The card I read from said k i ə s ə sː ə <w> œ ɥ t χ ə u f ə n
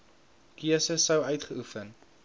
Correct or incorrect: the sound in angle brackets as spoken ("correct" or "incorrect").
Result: correct